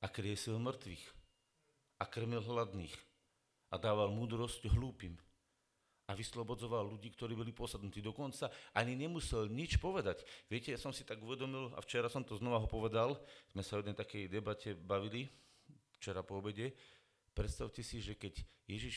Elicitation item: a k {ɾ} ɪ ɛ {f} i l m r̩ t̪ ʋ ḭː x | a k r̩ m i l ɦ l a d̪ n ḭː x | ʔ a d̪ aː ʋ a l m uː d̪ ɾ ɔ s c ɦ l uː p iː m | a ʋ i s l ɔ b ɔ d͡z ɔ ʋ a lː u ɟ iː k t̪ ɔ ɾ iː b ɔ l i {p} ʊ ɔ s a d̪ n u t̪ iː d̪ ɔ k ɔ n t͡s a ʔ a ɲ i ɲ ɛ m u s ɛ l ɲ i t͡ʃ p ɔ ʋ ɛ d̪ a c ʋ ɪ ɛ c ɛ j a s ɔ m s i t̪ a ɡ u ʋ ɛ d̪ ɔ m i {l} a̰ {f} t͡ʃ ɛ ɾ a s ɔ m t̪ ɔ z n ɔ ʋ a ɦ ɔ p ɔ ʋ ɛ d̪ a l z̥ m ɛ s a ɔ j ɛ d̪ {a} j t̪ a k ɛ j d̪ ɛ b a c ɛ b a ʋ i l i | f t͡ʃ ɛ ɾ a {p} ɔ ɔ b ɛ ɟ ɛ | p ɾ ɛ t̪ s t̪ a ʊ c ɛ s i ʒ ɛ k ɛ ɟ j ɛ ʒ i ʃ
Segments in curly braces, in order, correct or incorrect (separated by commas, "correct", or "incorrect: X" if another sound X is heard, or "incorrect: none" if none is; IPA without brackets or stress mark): correct, incorrect: s, correct, correct, correct, incorrect: ɛ, correct